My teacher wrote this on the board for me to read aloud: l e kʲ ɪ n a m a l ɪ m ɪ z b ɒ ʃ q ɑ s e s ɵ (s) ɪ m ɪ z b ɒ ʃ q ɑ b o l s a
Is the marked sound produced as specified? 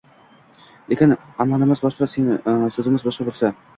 no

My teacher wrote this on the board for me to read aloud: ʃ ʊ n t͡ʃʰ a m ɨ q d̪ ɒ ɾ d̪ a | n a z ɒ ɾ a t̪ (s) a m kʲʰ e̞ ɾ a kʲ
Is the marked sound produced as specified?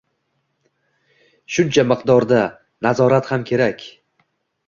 no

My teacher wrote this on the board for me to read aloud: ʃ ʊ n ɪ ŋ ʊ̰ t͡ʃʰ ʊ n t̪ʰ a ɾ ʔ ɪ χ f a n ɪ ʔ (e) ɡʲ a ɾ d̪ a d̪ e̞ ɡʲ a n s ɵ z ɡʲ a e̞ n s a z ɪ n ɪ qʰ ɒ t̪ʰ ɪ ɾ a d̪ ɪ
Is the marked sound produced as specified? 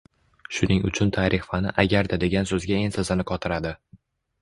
no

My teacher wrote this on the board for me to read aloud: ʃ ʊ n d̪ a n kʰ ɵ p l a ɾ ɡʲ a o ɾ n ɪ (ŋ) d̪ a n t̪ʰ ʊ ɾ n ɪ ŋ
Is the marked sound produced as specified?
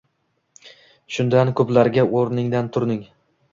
yes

